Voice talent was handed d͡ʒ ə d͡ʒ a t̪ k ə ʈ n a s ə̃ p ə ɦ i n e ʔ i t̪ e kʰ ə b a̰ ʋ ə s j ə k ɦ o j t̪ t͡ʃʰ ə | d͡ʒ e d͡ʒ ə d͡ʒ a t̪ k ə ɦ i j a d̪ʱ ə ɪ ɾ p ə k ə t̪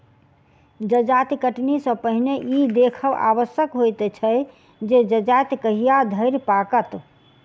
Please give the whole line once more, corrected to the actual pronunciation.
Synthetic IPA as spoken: d͡ʒ ə d͡ʒ a t̪ k ə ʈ n i s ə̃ p ə ɦ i n e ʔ i d̪ e kʰ ə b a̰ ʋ ə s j ə k ɦ o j t̪ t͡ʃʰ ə | d͡ʒ e d͡ʒ ə d͡ʒ a t̪ k ə ɦ i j a d̪ʱ ə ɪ ɾ p a k ə t̪